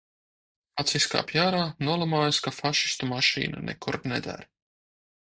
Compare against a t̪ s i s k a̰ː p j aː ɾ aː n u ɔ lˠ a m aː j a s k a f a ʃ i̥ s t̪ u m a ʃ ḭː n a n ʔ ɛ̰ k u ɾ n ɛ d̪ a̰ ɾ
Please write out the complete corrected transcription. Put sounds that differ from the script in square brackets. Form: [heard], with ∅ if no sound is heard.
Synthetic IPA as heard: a t̪ s i s k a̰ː p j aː ɾ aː n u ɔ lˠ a m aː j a s k a f a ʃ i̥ s t̪ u m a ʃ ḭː n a n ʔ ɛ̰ k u ɾ n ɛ d̪ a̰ ɾ